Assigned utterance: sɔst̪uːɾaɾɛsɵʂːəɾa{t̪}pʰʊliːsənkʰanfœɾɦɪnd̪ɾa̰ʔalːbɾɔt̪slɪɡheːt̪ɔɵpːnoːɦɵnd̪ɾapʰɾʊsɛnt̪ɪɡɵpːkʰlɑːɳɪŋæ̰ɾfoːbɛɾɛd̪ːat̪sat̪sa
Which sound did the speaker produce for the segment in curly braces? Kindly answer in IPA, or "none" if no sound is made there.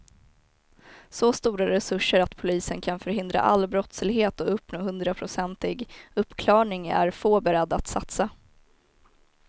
t̪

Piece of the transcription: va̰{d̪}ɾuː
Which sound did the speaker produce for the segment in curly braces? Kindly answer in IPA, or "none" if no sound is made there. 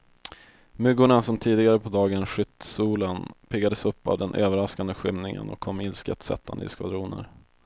d̪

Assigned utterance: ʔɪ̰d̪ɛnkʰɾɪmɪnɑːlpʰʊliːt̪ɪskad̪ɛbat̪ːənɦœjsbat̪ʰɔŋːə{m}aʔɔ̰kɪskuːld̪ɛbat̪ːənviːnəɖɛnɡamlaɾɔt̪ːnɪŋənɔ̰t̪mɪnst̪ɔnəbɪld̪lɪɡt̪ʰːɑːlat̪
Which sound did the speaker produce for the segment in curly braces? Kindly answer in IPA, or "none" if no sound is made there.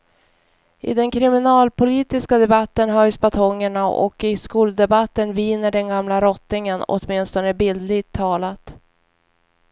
ɳ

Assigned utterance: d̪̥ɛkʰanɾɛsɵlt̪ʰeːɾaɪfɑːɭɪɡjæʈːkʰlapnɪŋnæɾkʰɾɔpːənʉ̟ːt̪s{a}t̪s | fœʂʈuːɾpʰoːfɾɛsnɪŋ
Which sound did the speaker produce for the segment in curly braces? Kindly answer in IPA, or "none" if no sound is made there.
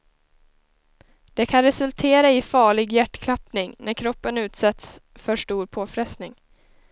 ɛ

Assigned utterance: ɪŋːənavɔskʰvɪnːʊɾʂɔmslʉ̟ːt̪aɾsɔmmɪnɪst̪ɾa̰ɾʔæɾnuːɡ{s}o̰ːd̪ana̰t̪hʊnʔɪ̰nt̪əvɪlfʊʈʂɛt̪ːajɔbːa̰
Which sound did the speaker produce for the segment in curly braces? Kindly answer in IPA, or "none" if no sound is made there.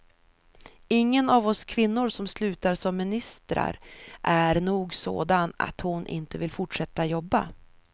s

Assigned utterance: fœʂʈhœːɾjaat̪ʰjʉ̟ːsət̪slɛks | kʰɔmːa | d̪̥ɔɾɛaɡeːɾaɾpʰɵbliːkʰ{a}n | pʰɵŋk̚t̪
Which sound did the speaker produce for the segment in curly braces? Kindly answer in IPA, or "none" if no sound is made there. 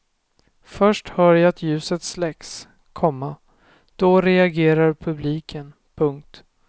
ə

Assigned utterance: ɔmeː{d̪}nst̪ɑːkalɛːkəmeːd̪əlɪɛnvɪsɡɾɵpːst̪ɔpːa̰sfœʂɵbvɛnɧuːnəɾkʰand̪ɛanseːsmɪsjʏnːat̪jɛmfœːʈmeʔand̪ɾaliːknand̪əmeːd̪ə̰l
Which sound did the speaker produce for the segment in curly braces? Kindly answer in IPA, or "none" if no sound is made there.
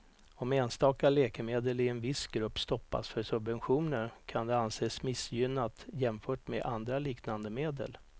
none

